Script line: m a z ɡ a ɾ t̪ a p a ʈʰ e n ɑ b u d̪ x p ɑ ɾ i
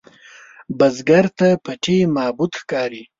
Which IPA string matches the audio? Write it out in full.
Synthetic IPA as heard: b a z ɡ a ɾ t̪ a p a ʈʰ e m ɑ b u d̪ x k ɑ ɾ i